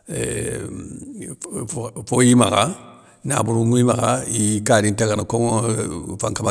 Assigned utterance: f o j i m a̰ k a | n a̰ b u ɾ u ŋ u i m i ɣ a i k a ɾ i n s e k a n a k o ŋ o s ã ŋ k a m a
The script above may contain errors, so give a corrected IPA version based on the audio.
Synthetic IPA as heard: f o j i m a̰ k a | n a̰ b u ɾ u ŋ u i m a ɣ a i k a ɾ i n t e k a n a k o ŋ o f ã ŋ k a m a